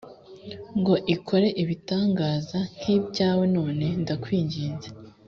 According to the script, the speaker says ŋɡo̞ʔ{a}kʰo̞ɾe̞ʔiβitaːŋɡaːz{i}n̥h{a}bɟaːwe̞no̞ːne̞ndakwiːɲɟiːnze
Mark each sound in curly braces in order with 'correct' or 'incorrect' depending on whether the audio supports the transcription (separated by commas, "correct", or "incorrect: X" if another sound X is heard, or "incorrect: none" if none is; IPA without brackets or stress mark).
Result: incorrect: i, incorrect: a, incorrect: i